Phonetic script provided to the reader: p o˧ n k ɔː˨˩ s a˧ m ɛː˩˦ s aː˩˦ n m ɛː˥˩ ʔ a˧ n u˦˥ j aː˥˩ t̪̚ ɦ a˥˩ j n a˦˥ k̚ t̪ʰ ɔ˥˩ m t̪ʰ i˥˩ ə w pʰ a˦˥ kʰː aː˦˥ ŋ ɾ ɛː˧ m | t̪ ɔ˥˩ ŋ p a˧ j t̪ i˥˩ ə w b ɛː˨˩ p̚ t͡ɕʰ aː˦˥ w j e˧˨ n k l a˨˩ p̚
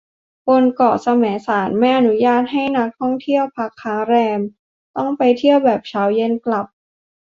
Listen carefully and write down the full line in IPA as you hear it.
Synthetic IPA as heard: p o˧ n k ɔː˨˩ s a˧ m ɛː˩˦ s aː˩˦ n m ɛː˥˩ ʔ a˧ n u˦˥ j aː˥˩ t̪̚ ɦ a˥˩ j n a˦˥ k̚ t̪ʰ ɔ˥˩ ŋ t̪ʰ i˥˩ ə w pʰ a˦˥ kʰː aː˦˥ ŋ ɾ ɛː˧ m | t̪ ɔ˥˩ ŋ p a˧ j t̪ʰ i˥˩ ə w b ɛː˨˩ p̚ t͡ɕʰ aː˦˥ w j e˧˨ n k l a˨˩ p̚